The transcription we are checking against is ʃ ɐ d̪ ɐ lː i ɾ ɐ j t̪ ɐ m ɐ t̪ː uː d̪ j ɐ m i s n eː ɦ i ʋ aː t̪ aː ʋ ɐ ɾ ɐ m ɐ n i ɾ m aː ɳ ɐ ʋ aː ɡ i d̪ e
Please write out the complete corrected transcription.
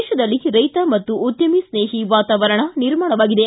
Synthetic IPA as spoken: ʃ ɐ d̪ ɐ lː i ɾ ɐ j t̪ ɐ m ɐ t̪ː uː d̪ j ɐ m i s n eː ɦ i ʋ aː t̪ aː ʋ ɐ ɾ ɐ ɳ ɐ n i ɾ m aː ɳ ɐ ʋ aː ɡ i d̪ e